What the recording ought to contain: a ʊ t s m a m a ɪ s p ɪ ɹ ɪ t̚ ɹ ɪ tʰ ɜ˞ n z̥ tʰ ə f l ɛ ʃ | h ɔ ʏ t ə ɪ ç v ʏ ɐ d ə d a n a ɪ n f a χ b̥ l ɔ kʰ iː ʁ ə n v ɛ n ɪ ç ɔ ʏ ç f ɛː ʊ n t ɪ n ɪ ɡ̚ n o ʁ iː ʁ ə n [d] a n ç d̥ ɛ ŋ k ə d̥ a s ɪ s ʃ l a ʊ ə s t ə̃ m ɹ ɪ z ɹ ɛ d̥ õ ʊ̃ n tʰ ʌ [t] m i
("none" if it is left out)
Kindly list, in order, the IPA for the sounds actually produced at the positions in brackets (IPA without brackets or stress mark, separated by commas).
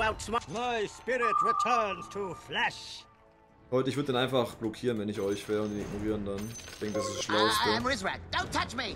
d, t͡ʃ